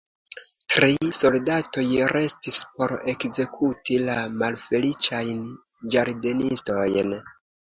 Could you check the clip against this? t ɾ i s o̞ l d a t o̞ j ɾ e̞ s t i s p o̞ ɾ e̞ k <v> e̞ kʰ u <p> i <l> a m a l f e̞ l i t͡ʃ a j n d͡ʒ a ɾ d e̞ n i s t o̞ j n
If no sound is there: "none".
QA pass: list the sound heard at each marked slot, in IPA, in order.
z, t, l

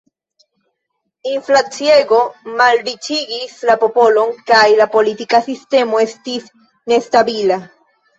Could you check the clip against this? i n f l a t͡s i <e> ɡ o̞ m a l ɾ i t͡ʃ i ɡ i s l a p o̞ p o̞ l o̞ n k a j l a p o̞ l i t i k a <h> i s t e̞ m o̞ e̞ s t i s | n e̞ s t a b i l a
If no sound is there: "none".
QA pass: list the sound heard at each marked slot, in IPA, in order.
e, s

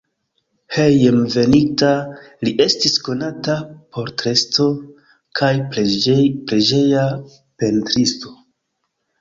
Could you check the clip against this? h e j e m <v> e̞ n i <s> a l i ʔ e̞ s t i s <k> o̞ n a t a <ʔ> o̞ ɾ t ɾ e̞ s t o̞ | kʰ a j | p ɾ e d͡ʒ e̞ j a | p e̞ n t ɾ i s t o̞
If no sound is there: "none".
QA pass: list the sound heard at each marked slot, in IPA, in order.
v, t, k, p

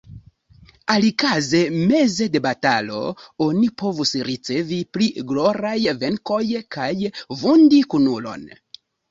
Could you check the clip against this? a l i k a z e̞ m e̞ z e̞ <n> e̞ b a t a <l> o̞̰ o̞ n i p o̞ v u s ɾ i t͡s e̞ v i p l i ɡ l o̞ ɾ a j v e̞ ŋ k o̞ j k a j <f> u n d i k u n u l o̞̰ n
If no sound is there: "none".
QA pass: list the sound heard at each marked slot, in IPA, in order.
d, l, v

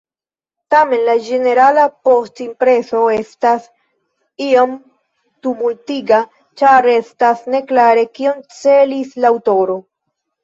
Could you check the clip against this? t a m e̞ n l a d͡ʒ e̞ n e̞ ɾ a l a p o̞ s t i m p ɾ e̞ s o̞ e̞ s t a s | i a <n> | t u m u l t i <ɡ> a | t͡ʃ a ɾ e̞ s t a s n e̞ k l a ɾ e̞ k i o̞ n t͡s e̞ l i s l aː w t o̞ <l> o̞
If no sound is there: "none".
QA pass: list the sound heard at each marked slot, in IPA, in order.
m, ɡ, ɾ

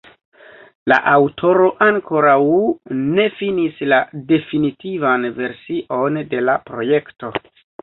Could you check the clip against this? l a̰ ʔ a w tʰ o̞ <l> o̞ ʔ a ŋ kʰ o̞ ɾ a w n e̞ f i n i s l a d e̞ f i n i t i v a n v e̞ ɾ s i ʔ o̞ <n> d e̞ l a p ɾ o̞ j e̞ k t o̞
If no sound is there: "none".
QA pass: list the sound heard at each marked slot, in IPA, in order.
ɾ, n

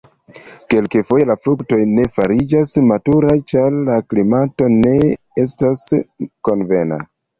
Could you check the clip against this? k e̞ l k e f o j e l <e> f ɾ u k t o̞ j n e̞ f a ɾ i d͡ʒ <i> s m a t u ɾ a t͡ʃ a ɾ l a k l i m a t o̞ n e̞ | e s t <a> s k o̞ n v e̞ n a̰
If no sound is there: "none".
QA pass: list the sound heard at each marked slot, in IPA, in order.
a, a, a

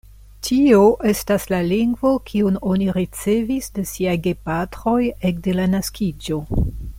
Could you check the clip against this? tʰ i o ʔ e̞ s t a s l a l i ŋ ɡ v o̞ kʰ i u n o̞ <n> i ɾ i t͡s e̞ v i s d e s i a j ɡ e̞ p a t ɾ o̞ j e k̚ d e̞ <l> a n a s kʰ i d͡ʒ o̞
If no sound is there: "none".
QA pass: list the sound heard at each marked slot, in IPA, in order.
n, l

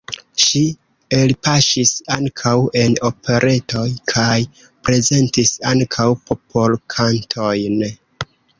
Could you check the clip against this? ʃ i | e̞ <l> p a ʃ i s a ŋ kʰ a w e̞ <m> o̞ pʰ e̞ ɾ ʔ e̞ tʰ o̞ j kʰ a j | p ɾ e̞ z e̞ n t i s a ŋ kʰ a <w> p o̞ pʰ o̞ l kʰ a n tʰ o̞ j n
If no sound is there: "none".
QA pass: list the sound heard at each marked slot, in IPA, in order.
l, n, w

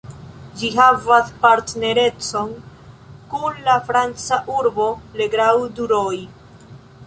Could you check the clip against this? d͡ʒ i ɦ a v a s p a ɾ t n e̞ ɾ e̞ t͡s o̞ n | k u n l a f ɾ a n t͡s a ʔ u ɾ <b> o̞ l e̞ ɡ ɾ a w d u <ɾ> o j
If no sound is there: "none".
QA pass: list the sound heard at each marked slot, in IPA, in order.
b, ɾ

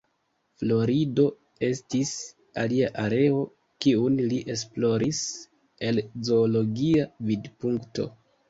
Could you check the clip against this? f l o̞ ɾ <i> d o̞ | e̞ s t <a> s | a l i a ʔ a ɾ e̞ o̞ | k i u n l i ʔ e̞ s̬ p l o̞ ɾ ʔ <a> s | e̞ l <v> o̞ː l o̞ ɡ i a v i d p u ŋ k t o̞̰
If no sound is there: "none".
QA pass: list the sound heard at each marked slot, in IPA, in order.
i, i, i, z

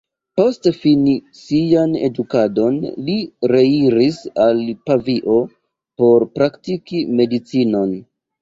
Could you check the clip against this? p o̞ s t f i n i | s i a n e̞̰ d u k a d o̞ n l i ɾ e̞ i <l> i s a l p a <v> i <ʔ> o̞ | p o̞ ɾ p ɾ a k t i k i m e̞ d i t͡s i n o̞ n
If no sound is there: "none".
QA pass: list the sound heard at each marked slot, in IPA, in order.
ɾ, v, ʔ

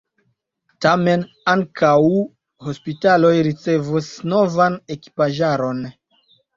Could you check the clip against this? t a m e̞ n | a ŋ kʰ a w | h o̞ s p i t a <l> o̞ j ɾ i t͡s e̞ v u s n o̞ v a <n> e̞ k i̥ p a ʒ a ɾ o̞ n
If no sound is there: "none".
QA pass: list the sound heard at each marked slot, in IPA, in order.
l, n

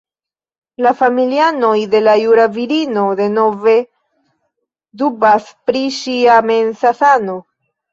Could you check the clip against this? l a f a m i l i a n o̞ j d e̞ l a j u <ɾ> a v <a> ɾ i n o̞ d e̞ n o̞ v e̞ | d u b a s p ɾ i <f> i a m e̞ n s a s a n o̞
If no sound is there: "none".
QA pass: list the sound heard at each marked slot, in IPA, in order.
ɾ, i, ʃ

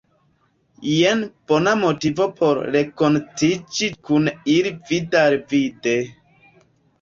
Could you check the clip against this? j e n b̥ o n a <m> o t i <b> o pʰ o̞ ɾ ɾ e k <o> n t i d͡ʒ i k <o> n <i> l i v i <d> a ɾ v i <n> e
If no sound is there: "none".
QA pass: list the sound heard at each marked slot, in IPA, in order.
m, v, o, u, i, d, d

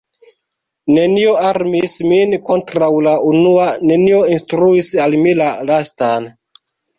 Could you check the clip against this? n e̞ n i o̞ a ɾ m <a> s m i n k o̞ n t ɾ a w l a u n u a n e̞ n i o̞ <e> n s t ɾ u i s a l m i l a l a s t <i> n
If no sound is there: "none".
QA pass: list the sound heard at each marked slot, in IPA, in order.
i, i, a

